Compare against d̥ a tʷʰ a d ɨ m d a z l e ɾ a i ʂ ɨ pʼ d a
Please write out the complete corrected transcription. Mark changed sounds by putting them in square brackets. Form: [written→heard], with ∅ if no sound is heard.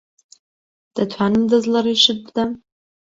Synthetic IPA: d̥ a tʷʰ a [d→n] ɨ m d a z l [e→a] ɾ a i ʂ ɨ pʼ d a

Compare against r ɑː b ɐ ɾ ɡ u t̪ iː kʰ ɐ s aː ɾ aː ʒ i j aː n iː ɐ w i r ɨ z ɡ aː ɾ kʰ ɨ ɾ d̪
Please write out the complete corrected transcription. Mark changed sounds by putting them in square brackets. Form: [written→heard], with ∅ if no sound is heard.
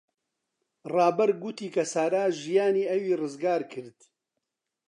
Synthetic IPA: r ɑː b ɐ ɾ ɡ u t̪ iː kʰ ɐ s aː ɾ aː ʒ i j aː n iː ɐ w [i→iː] r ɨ z ɡ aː ɾ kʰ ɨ ɾ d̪

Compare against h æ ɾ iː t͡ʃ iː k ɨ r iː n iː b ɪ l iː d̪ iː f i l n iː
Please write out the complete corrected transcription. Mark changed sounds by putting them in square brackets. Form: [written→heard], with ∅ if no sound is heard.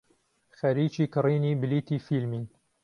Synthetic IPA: [h→x] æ ɾ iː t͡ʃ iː k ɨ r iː n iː b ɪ l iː [d̪→t̪] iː f i l [n→m] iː

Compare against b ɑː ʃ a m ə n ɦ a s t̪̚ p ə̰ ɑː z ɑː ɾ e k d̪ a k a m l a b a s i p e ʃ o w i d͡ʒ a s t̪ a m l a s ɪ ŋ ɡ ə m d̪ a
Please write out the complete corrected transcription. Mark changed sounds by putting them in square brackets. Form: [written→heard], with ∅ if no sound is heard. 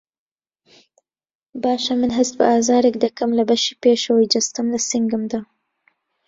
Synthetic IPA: b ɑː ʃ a m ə n ɦ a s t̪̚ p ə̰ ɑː z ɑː ɾ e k d̪ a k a m l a b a [s→ʃ] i p e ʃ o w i d͡ʒ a s t̪ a m l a s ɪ ŋ ɡ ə m d̪ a

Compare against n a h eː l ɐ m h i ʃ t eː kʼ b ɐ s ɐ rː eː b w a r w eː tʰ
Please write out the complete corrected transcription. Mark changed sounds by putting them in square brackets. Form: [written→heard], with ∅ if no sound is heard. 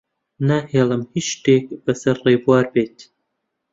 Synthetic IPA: n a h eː l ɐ m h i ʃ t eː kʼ b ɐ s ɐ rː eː b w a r [w→b] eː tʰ

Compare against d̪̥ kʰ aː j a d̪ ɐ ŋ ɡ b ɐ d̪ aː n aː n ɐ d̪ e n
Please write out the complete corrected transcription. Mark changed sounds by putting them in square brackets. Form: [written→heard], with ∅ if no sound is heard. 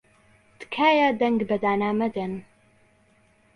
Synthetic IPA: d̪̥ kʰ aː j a d̪ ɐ ŋ ɡ b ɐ d̪ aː n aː [n→m] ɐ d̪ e n

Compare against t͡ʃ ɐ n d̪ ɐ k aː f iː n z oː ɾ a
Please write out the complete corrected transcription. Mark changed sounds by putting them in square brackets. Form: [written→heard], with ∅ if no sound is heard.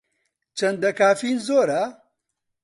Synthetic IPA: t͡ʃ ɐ n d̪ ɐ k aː f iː n z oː ɾ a

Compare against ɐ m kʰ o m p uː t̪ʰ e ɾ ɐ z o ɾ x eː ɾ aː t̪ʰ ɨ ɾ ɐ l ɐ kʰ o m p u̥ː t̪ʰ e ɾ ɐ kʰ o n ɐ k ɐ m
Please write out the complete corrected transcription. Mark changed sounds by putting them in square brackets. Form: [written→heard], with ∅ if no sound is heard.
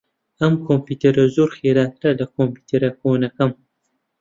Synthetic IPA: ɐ m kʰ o m p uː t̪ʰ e ɾ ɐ z o ɾ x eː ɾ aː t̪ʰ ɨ ɾ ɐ l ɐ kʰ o m p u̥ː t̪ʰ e ɾ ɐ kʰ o n ɐ k ɐ m

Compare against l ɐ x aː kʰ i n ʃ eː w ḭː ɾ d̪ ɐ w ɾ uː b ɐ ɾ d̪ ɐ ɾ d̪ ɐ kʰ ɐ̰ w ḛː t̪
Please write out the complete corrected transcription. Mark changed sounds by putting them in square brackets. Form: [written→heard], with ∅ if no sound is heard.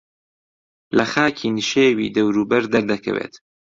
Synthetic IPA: l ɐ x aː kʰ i n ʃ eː w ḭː [ɾ→∅] d̪ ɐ w ɾ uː b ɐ ɾ d̪ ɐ ɾ d̪ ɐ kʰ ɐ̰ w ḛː t̪

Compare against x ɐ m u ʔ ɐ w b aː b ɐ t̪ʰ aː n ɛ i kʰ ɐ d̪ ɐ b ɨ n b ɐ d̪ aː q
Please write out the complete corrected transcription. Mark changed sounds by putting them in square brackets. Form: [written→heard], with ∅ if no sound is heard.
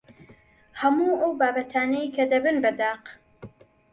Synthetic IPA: [x→h] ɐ m u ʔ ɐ w b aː b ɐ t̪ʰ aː n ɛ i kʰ ɐ d̪ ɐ b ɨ n b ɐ d̪ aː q

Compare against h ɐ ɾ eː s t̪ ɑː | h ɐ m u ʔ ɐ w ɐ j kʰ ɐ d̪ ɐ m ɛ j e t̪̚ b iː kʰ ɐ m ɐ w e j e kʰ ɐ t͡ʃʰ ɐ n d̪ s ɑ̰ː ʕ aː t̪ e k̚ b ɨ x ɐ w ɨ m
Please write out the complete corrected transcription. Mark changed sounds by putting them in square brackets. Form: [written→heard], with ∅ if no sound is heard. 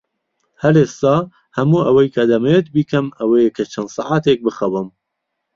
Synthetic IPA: h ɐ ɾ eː s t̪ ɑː | h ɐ m u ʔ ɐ w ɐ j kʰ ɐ d̪ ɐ m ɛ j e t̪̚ b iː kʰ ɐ m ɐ w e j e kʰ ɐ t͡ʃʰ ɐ n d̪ s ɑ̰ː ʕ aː t̪ e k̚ b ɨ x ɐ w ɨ m

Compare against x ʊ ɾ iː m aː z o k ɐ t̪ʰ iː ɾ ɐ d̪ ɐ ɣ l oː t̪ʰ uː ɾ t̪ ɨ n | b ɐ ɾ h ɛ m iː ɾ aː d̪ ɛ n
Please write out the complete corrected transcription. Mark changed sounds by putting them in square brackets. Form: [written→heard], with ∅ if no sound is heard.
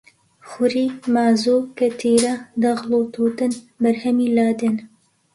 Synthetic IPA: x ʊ ɾ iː m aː z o k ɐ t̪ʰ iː ɾ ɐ d̪ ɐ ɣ l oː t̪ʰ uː [ɾ→∅] t̪ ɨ n | b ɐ ɾ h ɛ m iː [ɾ→l] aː d̪ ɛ n

